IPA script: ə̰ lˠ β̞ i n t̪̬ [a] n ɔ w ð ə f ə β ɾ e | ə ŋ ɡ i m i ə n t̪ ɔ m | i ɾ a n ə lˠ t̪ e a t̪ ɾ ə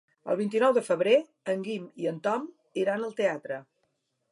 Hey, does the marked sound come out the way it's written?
no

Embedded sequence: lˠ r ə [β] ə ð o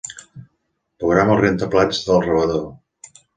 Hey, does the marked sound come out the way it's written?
yes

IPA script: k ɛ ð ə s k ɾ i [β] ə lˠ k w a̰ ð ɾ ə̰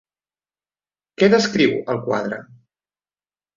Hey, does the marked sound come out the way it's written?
no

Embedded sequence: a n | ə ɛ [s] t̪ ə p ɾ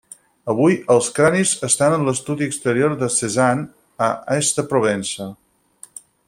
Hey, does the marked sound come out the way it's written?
yes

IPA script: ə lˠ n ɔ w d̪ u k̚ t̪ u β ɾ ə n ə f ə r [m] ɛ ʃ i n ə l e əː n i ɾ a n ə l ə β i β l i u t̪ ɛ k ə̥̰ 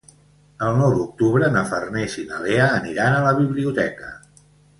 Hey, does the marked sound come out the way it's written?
no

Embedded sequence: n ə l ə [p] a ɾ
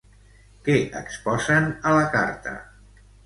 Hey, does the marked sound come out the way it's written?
no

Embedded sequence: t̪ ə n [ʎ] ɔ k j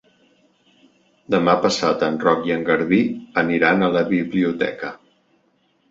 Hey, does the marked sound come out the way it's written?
no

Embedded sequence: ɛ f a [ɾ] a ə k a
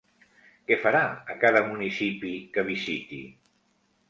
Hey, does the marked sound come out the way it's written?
yes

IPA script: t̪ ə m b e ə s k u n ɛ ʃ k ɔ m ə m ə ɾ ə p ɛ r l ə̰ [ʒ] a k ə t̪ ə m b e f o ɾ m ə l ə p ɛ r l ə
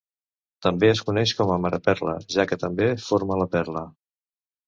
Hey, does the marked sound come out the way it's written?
yes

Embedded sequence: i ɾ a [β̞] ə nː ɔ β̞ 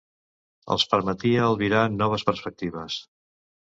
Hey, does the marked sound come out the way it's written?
no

